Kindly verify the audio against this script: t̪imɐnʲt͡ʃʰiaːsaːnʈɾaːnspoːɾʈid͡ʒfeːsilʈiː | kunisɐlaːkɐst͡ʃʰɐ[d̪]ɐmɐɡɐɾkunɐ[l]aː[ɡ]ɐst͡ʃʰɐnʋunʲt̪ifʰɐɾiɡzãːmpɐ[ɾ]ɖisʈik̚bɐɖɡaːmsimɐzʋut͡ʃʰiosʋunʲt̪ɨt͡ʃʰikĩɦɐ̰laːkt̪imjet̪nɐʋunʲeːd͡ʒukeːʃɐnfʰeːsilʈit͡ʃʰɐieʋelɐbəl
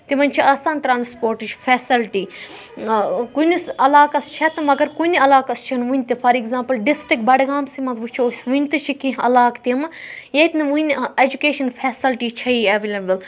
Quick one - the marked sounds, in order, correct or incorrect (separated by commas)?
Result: incorrect, correct, incorrect, incorrect